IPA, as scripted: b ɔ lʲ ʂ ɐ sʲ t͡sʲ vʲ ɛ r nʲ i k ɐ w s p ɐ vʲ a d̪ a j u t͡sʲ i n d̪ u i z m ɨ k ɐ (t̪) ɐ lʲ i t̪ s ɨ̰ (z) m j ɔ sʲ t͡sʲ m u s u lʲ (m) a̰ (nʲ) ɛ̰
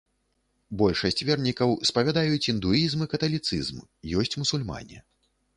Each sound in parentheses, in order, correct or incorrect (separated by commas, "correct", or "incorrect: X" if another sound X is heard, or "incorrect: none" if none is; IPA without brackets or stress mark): correct, correct, correct, correct